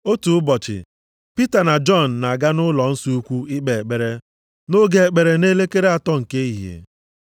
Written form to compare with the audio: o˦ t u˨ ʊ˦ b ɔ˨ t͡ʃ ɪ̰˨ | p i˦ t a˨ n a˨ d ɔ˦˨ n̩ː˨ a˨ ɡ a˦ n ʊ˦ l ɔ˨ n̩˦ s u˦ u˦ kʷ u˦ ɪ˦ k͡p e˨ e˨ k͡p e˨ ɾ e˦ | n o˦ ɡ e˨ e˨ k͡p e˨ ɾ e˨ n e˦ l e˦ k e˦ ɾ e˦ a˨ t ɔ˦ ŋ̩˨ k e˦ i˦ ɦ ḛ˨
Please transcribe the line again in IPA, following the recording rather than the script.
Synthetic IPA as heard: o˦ t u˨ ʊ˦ b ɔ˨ t͡ʃ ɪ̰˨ | p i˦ t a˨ n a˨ d͡ʒ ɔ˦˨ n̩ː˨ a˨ ɡ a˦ n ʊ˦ l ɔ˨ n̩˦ s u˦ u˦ kʷ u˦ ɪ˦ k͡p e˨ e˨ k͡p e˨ ɾ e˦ | n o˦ ɡ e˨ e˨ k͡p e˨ ɾ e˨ n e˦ l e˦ k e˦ ɾ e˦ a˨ t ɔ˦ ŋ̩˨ k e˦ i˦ ɦ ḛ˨